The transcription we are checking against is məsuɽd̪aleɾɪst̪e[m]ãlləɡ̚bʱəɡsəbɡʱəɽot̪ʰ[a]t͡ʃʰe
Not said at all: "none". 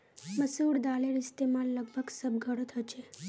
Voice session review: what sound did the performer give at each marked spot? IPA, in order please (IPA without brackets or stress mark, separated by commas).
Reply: m, ə